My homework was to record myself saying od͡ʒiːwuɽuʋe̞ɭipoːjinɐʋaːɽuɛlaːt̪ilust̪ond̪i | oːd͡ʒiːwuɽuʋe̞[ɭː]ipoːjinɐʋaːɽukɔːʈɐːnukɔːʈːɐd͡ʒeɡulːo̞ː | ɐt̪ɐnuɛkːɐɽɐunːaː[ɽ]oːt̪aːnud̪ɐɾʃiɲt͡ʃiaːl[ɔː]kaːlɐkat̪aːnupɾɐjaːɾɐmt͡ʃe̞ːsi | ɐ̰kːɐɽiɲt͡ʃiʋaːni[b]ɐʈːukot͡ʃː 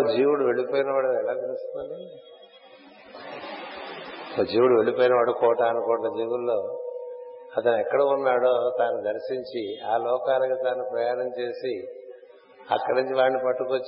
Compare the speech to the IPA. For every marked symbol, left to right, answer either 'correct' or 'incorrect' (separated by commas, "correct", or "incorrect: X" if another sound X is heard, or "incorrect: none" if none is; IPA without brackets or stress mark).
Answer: incorrect: ɭ, correct, correct, incorrect: p